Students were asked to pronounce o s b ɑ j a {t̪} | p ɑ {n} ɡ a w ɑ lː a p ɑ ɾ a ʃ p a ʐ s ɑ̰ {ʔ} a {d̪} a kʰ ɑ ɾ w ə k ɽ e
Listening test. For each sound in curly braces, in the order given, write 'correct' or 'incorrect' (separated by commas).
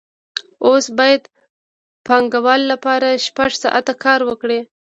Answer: incorrect, incorrect, correct, incorrect